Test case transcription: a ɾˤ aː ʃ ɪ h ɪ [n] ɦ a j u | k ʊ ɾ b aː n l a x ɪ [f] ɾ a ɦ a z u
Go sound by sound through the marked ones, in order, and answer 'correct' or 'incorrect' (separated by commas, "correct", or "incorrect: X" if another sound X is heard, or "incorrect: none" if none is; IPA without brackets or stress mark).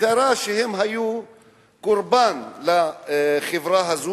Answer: incorrect: m, incorrect: v